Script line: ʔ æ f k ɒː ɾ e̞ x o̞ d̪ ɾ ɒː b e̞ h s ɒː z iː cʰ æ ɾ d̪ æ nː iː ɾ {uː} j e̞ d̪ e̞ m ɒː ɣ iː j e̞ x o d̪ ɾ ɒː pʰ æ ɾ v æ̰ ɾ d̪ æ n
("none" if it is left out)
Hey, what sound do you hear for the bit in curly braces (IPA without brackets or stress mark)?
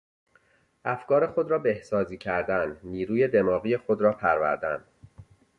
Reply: uː